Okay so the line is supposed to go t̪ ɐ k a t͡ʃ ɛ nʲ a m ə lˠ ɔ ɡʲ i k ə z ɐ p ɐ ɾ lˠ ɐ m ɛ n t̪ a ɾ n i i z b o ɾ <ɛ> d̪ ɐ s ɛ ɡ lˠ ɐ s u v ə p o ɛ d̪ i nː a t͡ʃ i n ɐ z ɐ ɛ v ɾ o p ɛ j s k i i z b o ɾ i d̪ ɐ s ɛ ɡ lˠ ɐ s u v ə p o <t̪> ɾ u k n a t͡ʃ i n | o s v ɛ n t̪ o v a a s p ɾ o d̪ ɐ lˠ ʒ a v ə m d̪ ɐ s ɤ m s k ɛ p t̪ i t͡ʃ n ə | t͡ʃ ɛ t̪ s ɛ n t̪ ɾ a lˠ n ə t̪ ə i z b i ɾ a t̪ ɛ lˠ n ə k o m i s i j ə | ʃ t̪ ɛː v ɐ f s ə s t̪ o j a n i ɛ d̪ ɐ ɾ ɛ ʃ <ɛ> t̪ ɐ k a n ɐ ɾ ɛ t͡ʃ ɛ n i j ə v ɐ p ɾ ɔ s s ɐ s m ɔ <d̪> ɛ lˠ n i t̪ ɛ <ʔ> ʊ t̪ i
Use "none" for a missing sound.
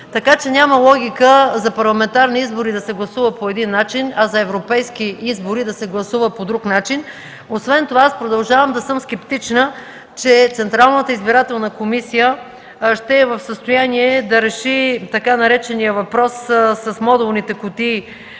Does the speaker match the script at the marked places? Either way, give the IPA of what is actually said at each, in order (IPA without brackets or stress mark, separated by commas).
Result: i, d̪, i, d̪, k